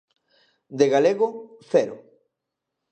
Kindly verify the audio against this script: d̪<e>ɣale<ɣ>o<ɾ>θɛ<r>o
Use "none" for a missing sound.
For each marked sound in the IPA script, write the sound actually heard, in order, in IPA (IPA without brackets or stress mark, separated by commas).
e, ɣ, none, ɾ